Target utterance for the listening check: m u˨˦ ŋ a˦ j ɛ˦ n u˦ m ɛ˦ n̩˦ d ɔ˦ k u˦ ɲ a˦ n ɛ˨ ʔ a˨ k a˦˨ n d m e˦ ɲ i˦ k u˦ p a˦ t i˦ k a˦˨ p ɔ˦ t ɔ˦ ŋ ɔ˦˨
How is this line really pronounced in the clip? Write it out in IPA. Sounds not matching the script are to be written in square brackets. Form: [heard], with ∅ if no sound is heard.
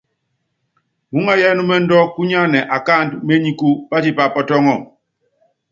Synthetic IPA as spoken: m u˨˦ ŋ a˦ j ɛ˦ n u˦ m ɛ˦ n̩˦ d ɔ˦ k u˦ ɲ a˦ n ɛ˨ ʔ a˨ k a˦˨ n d m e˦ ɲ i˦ k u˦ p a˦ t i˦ [p] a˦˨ p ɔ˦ t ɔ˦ ŋ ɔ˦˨